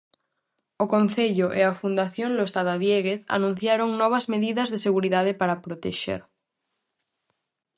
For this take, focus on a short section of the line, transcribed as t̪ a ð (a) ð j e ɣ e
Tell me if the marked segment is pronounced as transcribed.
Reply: yes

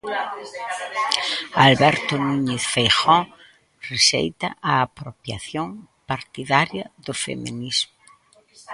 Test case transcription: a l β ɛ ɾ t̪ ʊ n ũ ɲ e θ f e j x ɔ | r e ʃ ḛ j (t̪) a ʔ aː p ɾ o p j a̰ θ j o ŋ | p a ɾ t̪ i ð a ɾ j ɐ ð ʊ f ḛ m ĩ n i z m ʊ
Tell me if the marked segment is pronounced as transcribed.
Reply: yes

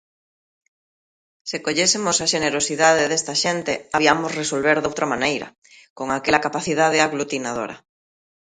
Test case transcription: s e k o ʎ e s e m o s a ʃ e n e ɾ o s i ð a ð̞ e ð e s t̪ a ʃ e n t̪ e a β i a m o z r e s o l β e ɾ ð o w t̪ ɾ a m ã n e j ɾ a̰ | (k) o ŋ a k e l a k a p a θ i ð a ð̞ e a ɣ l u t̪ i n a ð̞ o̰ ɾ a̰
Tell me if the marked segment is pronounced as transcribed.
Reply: yes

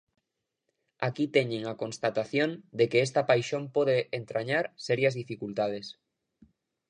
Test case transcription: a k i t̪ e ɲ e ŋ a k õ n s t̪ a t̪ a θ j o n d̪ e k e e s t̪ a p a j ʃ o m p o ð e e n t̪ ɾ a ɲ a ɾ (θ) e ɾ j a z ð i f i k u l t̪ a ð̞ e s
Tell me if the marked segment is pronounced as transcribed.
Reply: no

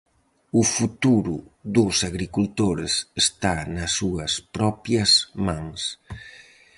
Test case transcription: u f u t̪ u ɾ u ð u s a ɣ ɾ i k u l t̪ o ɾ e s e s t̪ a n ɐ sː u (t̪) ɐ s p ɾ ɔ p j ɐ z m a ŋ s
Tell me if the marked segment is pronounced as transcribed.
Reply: no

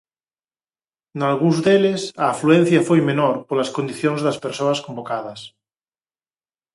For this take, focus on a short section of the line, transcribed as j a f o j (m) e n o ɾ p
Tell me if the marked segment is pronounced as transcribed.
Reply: yes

